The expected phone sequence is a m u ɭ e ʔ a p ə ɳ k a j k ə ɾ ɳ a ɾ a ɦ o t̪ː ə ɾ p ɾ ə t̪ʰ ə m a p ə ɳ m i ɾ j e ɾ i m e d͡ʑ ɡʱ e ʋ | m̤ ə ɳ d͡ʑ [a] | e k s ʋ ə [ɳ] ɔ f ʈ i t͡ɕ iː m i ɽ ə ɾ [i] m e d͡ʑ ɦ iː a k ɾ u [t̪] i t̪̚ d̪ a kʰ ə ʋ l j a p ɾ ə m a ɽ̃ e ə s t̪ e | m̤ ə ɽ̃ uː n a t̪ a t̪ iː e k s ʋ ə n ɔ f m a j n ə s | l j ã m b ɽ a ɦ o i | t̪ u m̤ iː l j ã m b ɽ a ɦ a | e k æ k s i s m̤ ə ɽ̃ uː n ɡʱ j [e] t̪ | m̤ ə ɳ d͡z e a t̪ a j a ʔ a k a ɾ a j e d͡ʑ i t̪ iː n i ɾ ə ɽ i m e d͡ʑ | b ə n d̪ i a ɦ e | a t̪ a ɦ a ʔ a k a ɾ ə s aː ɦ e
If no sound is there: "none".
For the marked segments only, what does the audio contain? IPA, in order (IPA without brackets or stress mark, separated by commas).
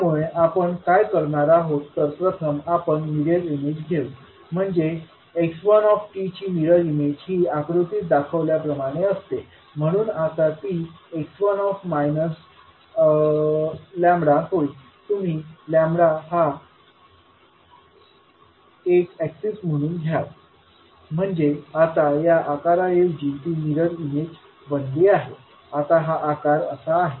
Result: e, n, i, t̪, a